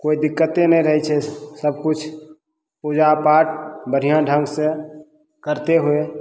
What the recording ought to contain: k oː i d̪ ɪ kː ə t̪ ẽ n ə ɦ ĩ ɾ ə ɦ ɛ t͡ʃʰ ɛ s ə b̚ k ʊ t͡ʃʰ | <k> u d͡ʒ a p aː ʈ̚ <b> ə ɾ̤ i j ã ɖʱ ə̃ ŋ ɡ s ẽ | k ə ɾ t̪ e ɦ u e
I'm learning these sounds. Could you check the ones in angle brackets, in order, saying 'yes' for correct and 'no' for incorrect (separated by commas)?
no, yes